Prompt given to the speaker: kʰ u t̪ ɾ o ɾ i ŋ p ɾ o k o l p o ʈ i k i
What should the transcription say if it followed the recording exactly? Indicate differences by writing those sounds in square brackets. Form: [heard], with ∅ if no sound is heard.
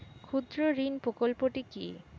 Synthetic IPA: kʰ u [d̪] ɾ o ɾ i [n] p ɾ o k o l p o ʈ i k i

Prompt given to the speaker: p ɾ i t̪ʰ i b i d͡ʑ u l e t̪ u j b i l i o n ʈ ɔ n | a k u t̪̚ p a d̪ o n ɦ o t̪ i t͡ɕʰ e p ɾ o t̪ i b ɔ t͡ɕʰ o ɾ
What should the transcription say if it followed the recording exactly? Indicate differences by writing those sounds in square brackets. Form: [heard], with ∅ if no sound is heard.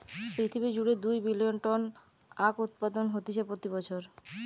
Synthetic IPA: p ɾ i t̪ʰ i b i d͡ʑ u [ɽ] e [d̪] u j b i l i o n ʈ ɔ n | a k u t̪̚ p a d̪ o n ɦ o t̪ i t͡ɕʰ e p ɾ o t̪ i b ɔ t͡ɕʰ o ɾ

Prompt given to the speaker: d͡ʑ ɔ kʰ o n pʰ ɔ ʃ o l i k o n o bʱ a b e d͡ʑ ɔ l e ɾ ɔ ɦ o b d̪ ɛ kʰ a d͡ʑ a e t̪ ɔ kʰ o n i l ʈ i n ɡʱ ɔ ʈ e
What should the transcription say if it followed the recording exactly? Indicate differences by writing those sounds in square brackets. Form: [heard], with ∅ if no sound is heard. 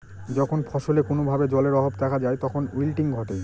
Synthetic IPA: d͡ʑ ɔ kʰ o n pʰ ɔ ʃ o l [e] k o n o bʱ a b e d͡ʑ ɔ l e ɾ ɔ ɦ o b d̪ ɛ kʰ a d͡ʑ a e t̪ ɔ kʰ o n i l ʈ i [ŋ] ɡʱ ɔ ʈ e

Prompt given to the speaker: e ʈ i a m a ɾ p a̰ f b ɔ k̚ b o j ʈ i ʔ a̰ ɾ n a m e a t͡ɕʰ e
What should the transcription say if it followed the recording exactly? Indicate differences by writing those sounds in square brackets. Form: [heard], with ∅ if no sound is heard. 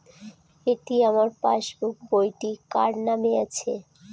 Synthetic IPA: e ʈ i a m a ɾ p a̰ [ʃ] b [u] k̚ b o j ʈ i [k] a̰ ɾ n a m e a t͡ɕʰ e

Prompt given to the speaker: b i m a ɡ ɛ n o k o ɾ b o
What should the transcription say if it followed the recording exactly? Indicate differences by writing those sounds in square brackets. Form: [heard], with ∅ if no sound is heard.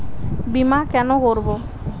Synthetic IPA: b i m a [k] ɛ n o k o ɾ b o

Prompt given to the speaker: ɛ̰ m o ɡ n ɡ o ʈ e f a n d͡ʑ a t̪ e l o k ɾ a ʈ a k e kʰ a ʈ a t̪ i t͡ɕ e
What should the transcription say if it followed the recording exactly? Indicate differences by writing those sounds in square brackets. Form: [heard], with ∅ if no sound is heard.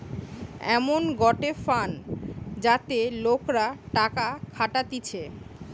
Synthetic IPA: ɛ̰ m o [∅] n ɡ [ɔ] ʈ e f a n d͡ʑ a t̪ e l o k ɾ a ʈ a k [a] kʰ a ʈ a t̪ i [t͡ɕʰ] e

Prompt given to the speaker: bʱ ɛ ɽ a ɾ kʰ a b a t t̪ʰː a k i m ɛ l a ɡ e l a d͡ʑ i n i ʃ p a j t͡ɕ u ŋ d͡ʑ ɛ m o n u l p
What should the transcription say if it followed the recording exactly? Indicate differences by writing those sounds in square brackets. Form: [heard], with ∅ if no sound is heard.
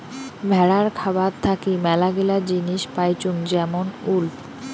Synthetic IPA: bʱ ɛ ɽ a ɾ kʰ a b a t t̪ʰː a k i m ɛ l a ɡ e l a d͡ʑ i n i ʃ p a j t͡ɕ u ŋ d͡ʑ ɛ m o n u l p

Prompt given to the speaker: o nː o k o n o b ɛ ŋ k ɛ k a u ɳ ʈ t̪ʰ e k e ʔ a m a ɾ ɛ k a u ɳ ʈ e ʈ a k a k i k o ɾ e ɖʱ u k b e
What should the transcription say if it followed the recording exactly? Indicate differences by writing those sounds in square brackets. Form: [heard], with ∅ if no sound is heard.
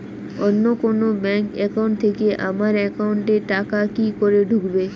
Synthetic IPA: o nː o k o n o b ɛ ŋ k ɛ k a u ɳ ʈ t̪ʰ e k e ʔ a m a ɾ ɛ k a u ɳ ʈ e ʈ a k a k i k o ɾ e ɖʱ u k b e

